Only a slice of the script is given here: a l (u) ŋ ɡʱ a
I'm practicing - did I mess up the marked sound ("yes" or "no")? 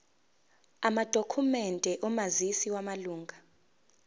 yes